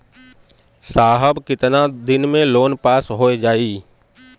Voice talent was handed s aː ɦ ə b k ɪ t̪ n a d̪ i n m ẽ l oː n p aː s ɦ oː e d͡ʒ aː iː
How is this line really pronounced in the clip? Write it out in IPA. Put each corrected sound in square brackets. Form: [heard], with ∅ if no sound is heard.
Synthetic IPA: s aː ɦ ə b k ɪ t̪ n a d̪ [ɪ] n m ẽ l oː n p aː s ɦ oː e d͡ʒ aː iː